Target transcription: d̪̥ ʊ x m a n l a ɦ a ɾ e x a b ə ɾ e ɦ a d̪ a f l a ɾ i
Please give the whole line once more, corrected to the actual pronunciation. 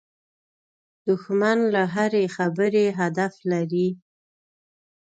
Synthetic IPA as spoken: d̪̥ ʊ x m a n l a ɦ a ɾ e x a b ə ɾ e ɦ a d̪ a f l a ɾ i